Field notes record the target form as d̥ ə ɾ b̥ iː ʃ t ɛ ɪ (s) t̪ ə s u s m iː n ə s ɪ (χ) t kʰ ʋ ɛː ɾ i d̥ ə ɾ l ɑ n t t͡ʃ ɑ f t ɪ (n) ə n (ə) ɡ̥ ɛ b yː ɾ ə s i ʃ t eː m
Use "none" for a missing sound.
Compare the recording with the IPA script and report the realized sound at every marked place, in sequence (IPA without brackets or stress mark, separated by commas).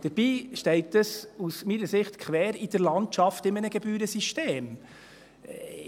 none, χ, m, ə